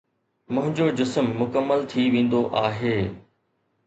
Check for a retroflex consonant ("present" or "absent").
absent